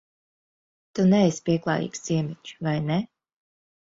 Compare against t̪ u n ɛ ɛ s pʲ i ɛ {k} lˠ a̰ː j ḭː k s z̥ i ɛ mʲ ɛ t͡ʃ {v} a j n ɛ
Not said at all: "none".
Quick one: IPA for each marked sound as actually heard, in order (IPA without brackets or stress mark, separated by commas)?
k, v